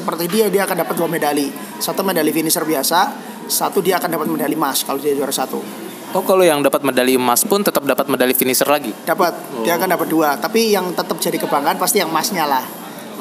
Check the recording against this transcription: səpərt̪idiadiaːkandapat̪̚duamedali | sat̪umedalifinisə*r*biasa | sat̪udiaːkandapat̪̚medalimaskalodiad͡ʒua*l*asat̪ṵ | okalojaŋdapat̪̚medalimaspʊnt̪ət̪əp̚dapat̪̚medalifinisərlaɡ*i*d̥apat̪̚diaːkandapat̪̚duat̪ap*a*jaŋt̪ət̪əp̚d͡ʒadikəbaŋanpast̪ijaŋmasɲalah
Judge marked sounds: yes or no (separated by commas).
yes, no, yes, no